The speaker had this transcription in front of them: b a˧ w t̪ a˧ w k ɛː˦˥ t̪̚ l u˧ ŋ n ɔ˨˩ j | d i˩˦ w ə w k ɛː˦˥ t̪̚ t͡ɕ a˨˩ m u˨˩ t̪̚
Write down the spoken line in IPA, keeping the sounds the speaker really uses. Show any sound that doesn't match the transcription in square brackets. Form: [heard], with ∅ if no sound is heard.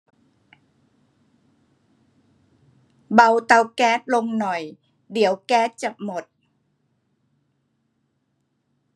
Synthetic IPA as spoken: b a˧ w t̪ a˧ w k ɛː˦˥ t̪̚ l [o˧] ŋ n ɔ˨˩ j | d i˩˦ [∅] ə w k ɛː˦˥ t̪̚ t͡ɕ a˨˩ m [o˨˩] t̪̚